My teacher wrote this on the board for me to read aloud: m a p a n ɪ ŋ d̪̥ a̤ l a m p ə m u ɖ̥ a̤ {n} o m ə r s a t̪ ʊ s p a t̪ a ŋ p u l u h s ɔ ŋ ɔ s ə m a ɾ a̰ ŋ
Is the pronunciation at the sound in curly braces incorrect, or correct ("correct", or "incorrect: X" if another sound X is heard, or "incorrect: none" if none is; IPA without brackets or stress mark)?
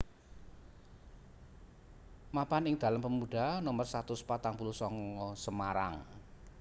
correct